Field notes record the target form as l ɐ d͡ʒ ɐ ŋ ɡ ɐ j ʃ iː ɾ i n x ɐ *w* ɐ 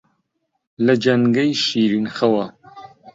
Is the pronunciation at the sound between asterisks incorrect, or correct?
correct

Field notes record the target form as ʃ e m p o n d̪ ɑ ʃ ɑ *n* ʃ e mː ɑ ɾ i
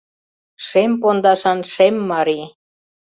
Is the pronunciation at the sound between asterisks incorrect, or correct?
correct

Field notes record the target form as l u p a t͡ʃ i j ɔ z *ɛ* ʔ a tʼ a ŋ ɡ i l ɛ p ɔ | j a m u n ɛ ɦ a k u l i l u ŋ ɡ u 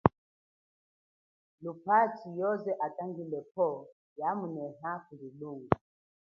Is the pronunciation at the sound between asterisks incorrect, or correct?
correct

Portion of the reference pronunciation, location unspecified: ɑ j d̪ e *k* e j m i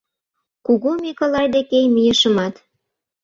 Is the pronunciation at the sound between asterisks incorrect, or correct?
correct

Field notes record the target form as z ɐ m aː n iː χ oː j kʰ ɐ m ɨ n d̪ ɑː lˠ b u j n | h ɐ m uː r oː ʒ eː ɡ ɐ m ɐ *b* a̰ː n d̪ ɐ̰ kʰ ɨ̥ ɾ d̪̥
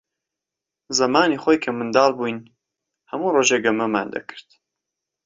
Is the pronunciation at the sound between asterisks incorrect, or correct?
incorrect: m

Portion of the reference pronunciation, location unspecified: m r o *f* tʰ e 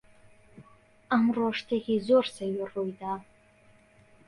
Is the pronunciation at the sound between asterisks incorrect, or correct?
incorrect: ʂ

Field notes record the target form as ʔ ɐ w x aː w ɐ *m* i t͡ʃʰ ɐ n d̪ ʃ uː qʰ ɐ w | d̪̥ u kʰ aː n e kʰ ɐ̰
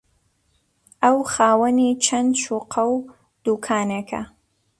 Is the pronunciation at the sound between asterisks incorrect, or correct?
incorrect: n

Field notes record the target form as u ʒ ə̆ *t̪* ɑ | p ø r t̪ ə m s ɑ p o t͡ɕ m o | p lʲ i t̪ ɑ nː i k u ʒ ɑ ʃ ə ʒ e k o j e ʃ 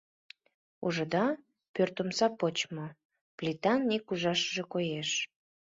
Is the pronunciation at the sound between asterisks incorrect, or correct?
incorrect: d̪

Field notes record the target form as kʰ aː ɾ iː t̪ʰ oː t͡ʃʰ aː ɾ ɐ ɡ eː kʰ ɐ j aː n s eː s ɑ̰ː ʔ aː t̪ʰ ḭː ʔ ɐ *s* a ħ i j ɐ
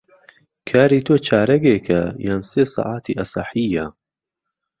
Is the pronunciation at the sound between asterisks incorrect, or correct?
correct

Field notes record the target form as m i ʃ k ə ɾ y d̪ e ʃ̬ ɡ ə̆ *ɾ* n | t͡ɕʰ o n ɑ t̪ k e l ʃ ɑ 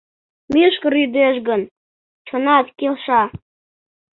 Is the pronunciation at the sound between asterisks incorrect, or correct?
incorrect: none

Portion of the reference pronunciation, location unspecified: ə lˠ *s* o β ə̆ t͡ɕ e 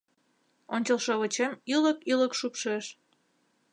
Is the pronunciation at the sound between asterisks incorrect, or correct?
incorrect: ʃ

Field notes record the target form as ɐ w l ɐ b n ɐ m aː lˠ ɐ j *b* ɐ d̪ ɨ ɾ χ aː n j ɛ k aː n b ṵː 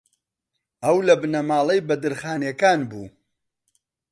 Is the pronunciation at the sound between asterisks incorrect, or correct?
correct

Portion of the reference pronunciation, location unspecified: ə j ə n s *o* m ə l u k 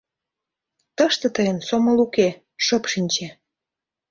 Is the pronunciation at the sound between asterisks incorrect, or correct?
correct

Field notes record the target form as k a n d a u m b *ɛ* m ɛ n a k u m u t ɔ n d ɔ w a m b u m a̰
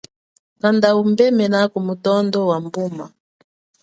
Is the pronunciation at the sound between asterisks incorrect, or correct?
correct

